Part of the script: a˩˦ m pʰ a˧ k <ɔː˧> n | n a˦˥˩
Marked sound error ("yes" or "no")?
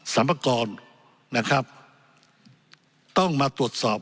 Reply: no